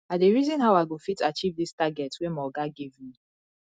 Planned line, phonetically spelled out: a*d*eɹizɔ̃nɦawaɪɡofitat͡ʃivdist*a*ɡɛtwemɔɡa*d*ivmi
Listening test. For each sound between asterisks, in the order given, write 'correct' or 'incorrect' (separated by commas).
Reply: correct, correct, incorrect